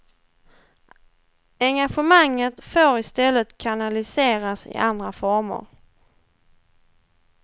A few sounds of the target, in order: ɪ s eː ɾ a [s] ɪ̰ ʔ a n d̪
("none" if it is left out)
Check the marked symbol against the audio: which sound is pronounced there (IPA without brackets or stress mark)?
s